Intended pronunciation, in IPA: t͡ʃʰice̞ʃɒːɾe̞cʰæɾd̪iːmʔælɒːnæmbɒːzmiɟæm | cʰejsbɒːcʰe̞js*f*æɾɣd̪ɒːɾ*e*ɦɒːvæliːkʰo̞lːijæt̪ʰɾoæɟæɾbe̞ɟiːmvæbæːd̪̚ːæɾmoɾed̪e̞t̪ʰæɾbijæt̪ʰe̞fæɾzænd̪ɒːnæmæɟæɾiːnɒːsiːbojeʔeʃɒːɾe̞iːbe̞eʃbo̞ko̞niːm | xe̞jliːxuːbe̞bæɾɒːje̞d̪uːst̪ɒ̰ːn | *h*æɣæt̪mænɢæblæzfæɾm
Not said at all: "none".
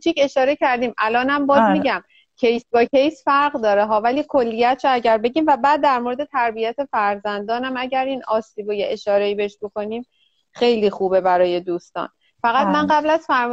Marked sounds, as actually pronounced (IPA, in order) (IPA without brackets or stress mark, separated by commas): f, e, f